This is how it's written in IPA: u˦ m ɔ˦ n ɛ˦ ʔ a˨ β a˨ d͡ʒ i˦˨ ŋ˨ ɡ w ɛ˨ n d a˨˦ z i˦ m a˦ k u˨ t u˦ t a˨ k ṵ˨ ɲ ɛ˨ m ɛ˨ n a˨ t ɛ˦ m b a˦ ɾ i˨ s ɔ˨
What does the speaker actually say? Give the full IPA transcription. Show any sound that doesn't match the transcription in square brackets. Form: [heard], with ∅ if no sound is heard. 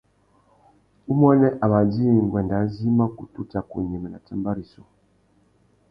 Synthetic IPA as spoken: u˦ m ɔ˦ n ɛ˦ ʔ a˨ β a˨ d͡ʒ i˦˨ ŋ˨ ɡ w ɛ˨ n d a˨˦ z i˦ m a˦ k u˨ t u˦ t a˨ k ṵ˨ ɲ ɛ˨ m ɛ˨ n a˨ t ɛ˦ m b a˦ ɾ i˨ s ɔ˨